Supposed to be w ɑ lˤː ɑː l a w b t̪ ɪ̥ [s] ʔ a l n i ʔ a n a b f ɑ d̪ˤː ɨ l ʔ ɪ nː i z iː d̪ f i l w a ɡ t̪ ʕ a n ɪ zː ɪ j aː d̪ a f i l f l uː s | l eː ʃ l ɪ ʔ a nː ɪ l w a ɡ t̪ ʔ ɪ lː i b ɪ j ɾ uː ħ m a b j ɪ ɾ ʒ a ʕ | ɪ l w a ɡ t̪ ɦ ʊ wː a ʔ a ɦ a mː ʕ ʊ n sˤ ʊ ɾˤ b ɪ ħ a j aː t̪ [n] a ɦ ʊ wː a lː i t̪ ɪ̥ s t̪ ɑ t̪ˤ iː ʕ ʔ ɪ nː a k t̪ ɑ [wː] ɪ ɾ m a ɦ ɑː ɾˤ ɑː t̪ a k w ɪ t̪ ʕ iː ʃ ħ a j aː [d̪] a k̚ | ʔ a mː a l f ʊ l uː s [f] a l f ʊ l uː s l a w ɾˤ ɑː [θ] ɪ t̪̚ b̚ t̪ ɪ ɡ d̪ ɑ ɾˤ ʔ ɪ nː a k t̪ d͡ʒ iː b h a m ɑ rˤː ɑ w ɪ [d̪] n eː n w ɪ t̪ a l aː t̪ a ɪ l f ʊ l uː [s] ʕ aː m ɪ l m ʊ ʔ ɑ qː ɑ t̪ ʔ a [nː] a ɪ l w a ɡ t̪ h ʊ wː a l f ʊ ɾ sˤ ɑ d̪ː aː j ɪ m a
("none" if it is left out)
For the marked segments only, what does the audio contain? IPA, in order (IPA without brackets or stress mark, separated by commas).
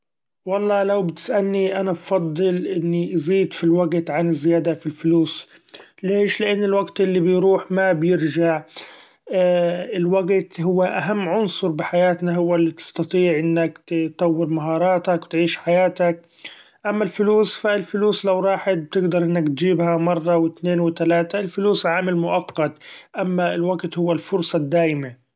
s, n, wː, t̪, f, ħ, t̪, s, mː